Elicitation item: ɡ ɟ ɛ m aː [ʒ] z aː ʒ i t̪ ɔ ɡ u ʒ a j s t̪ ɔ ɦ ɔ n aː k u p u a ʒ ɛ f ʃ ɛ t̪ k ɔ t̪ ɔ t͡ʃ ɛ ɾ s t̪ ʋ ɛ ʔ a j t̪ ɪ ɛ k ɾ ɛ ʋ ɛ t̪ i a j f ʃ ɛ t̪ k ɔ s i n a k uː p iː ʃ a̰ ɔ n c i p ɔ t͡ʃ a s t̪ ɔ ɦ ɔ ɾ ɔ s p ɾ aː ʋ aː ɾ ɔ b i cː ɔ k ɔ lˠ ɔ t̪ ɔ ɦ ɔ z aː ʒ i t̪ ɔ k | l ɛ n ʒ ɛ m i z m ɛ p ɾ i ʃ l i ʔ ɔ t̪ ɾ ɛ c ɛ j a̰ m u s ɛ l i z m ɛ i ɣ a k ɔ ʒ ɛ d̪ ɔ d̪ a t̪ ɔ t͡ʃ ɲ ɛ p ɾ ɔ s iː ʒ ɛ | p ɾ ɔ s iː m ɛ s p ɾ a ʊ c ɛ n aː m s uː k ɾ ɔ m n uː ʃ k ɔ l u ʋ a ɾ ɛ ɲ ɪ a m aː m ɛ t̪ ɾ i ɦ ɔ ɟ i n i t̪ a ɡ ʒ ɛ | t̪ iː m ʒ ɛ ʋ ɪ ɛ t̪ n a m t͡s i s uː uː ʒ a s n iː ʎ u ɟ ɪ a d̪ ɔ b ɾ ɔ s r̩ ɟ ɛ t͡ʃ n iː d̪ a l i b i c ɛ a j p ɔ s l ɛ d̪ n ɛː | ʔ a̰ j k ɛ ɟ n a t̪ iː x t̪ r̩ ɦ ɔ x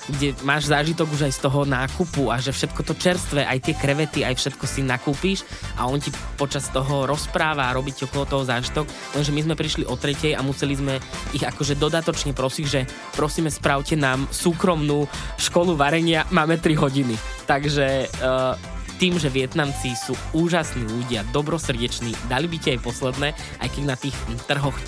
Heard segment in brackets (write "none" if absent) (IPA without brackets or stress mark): ʒ